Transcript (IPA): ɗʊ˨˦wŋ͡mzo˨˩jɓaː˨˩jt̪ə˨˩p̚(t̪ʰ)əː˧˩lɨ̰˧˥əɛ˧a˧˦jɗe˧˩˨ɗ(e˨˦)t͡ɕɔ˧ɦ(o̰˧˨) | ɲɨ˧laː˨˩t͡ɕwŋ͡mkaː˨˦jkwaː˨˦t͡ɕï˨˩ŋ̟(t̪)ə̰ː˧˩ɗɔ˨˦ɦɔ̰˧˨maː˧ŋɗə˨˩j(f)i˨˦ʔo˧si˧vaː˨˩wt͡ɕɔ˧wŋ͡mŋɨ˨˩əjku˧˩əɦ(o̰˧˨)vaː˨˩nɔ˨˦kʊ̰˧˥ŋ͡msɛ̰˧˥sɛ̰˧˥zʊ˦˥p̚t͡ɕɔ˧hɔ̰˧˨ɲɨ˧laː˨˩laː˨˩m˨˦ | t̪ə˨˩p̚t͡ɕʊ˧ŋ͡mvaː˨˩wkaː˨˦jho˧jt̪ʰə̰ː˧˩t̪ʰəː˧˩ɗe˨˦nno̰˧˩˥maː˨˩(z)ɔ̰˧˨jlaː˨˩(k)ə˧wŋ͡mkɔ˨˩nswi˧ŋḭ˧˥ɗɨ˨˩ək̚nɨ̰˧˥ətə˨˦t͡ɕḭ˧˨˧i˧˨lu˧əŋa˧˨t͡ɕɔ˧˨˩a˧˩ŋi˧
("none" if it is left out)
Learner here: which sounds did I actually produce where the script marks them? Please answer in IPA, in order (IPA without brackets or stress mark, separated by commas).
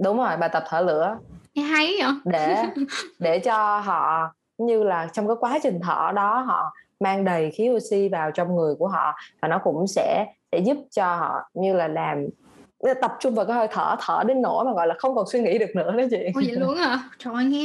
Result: t̪ʰ, e˧˩, ɔ̰˧˨, t̪ʰ, x, ɔ̰˧˨, ɣ, x